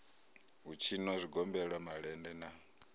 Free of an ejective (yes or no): yes